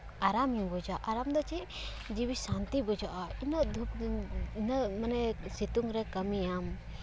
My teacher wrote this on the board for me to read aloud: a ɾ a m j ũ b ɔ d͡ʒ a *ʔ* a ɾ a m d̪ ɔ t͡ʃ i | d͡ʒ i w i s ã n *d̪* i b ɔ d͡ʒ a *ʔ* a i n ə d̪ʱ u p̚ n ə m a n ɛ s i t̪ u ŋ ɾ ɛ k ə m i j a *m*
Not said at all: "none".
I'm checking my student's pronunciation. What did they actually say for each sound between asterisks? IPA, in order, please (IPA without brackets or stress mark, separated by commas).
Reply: ʔ, t̪, ʔ, m